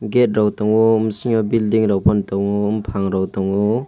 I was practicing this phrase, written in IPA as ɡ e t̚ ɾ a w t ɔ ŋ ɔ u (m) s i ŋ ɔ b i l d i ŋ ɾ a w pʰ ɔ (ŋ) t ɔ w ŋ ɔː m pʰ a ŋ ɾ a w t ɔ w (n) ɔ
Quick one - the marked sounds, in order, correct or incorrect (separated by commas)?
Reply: correct, incorrect, incorrect